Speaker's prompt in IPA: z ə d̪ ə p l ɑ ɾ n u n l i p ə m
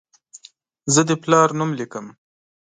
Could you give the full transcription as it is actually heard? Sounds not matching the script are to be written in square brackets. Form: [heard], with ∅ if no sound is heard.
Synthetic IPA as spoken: z ə d̪ ə p l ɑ ɾ n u [m] l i [k] ə m